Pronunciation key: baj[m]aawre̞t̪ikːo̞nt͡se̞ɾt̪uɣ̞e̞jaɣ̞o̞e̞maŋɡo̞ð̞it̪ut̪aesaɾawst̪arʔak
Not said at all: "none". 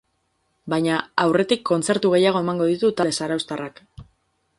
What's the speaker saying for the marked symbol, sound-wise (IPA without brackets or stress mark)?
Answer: ɲ